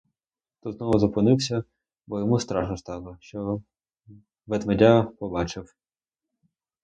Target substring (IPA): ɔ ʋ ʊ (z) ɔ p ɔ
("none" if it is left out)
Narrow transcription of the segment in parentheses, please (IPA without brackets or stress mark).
z